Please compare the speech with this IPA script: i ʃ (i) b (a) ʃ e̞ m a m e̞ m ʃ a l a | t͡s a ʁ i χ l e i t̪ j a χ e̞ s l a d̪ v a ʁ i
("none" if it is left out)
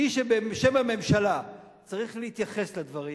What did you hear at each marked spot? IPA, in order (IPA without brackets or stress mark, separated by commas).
e, e